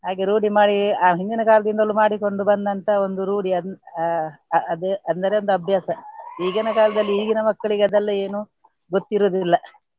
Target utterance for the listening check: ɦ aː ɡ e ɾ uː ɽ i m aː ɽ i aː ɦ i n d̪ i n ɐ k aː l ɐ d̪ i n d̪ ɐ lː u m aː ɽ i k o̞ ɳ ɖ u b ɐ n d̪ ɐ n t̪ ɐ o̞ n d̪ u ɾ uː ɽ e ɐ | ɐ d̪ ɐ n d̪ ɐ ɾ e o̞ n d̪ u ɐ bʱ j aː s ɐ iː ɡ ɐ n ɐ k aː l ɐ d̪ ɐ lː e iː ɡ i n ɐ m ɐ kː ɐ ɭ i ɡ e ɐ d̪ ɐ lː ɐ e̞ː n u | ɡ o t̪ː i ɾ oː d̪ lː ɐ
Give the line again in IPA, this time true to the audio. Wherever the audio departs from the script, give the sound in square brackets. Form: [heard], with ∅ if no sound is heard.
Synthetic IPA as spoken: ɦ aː ɡ e ɾ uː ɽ i m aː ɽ i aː ɦ i n d̪ i n ɐ k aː l ɐ d̪ i n d̪ ɐ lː u m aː ɽ i k o̞ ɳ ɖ u b ɐ n d̪ ɐ n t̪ ɐ o̞ n d̪ u ɾ uː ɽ [i] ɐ | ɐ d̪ ɐ n d̪ ɐ ɾ e o̞ n d̪ u ɐ bʱ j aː s ɐ iː ɡ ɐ n ɐ k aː l ɐ d̪ ɐ lː [i] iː ɡ i n ɐ m ɐ kː ɐ ɭ i ɡ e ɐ d̪ ɐ lː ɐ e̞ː n u | ɡ o t̪ː i ɾ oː d̪ lː ɐ